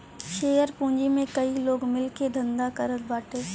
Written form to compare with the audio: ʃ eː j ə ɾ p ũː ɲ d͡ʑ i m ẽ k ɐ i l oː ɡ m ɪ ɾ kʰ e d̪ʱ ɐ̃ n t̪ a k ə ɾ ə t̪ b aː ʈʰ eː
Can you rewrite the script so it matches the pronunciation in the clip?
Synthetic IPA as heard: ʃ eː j ə ɾ p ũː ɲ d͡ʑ i m ẽ k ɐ i l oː ɡ m ɪ l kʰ e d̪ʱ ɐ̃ n d̪ a k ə ɾ ə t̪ b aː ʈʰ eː